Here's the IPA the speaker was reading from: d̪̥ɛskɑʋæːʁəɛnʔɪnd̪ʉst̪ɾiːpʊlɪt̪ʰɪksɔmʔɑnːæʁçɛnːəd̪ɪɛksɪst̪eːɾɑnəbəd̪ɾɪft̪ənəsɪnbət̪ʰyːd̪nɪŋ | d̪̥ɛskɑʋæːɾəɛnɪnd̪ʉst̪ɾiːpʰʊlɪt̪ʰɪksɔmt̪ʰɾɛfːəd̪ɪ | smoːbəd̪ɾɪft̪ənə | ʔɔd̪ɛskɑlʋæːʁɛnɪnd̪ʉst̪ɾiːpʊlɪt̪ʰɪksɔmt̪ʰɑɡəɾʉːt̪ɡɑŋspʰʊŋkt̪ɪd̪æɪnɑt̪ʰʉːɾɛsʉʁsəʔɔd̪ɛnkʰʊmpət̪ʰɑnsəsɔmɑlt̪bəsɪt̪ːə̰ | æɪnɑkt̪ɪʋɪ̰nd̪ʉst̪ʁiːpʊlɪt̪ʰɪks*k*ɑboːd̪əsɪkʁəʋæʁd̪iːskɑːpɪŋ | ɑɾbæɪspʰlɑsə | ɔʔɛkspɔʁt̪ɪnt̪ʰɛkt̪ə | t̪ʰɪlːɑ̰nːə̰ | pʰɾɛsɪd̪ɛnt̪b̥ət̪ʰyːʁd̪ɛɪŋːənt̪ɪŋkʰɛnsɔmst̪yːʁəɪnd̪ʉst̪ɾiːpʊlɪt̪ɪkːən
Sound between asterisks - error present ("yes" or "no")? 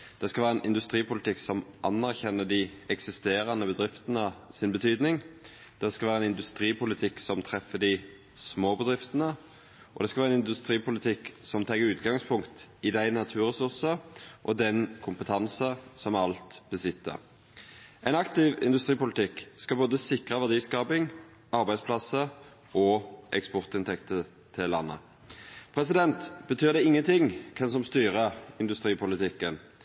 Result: no